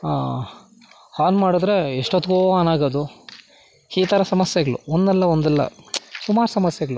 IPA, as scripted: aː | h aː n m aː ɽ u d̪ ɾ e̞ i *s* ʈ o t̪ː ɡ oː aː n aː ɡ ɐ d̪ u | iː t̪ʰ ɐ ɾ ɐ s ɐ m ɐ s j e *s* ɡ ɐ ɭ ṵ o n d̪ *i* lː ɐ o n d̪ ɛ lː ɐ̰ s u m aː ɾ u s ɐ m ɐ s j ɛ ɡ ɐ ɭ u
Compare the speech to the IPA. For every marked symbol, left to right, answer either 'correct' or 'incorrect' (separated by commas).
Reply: incorrect, incorrect, incorrect